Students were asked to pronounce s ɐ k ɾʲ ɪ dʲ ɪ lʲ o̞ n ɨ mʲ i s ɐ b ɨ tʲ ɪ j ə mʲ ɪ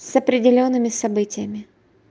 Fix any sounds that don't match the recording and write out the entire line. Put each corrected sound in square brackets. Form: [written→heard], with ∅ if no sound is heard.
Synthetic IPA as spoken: s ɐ [k→p] ɾʲ ɪ dʲ ɪ lʲ o̞ [n→nː] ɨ mʲ [i→ɪ] s ɐ b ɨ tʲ ɪ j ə mʲ ɪ